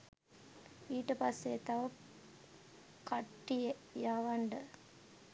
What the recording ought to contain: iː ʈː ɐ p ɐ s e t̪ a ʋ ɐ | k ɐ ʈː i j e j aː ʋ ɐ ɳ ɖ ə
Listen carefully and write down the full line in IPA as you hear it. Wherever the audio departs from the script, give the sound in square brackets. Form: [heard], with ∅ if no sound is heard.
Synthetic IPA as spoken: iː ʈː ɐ p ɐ s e t̪ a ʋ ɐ | k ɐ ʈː i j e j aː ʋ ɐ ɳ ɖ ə